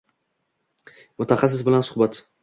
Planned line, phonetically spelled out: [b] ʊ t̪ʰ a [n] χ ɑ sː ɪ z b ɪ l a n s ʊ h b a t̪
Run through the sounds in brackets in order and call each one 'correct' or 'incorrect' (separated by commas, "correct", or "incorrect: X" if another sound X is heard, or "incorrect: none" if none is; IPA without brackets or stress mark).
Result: incorrect: m, incorrect: none